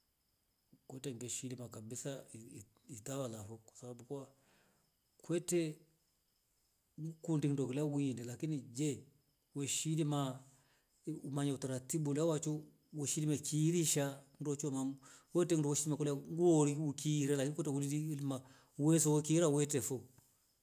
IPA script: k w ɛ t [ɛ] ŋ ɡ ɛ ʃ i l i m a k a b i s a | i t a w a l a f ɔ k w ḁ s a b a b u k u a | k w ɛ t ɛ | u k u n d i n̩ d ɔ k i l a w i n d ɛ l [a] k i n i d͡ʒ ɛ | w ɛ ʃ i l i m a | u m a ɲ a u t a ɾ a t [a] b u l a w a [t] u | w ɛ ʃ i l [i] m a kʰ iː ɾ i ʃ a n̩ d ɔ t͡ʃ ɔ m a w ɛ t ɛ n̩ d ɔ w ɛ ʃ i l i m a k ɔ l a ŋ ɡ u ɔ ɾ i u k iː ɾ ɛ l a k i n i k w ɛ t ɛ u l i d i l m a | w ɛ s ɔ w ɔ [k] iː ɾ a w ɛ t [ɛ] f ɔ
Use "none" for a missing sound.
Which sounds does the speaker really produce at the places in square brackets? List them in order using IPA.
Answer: ɛ, a, i, t͡ʃ, i, k, ɛ

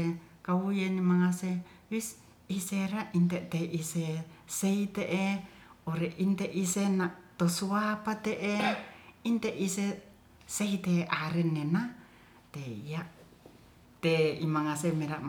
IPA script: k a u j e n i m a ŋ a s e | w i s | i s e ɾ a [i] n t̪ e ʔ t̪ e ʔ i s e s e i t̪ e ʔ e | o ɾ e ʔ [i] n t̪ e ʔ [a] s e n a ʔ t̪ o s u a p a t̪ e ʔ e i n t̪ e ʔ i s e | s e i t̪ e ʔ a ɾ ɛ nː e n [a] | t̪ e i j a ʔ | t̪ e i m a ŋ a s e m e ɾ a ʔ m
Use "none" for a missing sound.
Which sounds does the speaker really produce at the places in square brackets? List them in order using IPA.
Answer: i, i, i, a

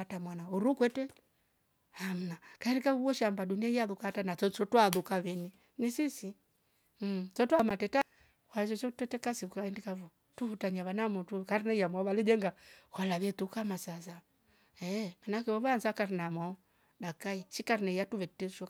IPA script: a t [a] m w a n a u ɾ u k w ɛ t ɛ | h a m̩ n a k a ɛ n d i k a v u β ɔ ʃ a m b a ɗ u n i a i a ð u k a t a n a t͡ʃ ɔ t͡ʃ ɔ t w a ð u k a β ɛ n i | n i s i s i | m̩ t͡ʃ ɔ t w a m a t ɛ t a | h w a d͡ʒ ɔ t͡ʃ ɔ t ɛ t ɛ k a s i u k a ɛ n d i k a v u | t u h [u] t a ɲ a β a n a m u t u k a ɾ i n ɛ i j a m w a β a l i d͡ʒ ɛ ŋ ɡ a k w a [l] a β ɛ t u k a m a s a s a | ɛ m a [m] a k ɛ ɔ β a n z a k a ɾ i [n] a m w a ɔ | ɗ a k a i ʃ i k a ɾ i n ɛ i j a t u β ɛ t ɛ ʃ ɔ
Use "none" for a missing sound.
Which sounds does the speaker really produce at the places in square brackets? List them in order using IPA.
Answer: a, u, l, n, n

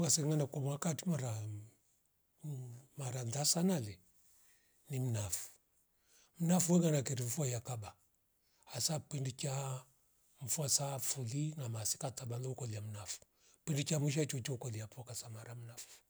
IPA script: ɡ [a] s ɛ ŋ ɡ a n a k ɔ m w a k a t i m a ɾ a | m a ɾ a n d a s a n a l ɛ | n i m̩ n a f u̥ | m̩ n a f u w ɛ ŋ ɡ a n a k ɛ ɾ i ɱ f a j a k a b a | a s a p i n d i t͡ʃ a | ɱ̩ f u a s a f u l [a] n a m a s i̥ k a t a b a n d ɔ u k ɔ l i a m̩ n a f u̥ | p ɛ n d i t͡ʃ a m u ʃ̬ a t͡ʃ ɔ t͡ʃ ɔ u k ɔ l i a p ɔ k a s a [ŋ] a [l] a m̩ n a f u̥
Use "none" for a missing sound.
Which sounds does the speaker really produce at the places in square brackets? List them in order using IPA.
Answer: a, i, m, ɾ

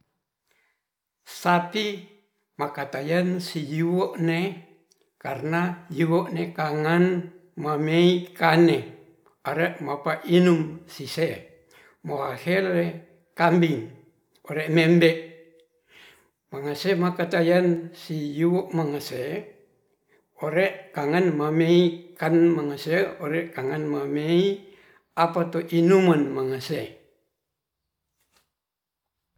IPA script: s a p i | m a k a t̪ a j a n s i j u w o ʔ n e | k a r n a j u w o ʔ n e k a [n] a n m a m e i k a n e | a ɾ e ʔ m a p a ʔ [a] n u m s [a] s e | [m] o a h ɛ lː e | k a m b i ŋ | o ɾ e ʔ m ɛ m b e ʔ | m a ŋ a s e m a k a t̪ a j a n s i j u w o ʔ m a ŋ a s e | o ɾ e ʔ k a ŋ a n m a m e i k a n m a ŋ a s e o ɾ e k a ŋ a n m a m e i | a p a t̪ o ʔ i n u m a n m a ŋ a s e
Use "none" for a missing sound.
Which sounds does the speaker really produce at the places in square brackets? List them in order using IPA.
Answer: ŋ, i, i, m

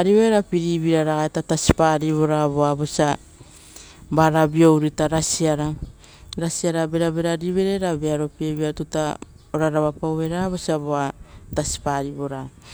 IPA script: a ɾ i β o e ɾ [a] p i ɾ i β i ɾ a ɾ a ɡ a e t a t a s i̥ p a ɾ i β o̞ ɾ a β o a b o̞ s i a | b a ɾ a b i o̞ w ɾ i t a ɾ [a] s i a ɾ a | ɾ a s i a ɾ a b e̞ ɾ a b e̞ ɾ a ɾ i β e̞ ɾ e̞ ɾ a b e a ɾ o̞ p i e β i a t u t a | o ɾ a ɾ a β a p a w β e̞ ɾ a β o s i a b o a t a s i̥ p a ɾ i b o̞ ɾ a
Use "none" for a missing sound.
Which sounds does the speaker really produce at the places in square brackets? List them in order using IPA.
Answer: a, a

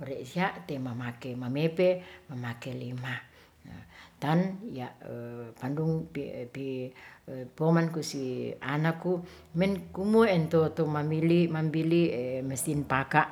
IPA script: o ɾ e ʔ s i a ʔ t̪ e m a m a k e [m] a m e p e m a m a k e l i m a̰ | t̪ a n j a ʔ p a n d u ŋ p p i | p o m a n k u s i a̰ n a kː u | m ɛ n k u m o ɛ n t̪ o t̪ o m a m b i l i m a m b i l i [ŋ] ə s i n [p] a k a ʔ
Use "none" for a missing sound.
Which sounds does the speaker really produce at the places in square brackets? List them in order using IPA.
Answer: m, m, p

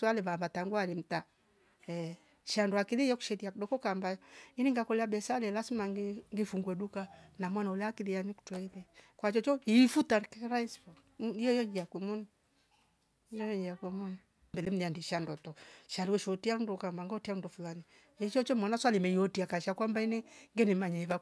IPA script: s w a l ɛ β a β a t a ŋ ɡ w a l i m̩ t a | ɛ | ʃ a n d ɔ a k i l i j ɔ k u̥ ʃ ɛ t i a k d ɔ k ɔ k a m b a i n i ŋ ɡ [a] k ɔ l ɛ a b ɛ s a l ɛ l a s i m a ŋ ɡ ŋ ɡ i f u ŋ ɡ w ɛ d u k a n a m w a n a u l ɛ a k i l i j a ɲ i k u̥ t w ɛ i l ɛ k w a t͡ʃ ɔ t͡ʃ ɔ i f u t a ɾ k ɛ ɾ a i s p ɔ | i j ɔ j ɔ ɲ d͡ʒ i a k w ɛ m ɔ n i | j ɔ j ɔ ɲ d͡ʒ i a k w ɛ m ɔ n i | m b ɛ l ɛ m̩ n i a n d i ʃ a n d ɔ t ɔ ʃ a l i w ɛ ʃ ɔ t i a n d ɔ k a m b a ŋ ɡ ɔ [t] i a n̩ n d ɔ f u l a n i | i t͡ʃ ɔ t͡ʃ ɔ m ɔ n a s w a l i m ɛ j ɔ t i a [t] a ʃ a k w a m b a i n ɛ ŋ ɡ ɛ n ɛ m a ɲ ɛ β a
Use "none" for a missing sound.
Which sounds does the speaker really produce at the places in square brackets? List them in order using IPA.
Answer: a, t, k

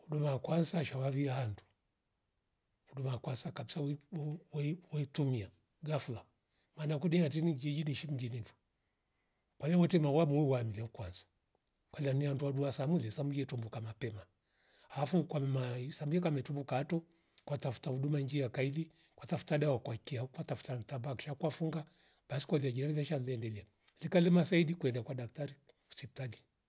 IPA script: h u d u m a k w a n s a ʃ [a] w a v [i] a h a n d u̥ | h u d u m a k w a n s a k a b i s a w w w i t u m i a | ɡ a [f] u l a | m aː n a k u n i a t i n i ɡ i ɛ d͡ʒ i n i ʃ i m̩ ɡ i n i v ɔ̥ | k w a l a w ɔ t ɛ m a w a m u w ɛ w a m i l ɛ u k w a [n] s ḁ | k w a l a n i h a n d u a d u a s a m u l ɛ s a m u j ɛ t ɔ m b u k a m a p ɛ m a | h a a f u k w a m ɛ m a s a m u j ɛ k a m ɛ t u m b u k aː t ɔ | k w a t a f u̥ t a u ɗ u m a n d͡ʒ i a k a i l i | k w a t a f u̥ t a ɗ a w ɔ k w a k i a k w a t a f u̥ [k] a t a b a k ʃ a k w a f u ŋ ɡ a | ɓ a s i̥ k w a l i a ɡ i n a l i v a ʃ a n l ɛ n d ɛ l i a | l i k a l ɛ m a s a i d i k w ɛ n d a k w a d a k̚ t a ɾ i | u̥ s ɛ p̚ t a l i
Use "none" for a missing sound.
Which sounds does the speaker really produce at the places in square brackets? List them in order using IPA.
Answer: a, i, f, n, t

